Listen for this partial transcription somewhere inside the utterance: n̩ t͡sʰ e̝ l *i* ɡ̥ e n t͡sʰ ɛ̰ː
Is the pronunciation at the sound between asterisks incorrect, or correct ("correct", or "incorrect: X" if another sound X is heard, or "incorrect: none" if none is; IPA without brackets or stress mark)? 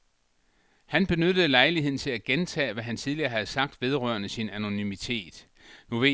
incorrect: æ